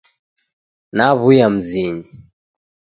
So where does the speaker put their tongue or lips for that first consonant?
tongue tip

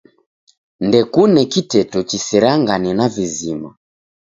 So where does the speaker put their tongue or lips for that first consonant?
tongue tip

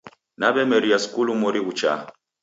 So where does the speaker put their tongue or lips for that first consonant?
tongue tip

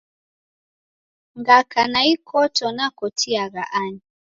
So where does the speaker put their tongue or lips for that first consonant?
velum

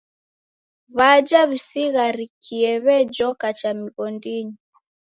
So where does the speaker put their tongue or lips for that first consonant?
lips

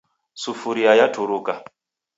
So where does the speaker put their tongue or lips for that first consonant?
tongue tip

